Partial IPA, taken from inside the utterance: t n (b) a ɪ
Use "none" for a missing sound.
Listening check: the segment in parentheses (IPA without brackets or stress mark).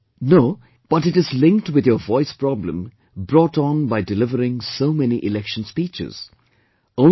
b